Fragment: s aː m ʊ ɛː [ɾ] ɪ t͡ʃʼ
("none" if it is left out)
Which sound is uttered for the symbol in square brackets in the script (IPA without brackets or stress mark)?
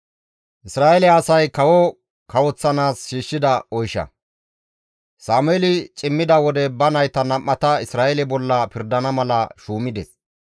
l